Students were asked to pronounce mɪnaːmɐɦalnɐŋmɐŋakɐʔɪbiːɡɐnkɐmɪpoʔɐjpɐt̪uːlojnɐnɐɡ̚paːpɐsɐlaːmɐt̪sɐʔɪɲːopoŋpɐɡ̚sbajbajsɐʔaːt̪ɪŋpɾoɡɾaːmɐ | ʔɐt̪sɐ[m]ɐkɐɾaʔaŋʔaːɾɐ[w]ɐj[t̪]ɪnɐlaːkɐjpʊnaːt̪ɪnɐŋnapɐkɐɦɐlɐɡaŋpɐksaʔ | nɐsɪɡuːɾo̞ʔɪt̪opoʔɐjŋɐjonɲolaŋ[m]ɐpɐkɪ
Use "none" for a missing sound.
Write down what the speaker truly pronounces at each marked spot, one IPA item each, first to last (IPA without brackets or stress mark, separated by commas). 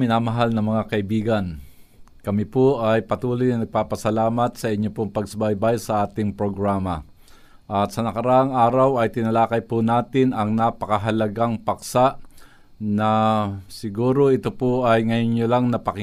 n, w, t̪, n